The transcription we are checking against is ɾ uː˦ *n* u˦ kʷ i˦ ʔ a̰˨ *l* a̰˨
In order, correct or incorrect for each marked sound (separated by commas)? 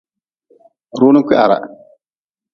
correct, incorrect